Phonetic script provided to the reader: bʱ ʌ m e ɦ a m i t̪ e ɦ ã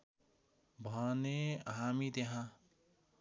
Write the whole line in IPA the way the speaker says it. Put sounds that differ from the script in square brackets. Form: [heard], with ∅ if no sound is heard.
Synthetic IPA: bʱ ʌ [n] e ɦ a m i t̪ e ɦ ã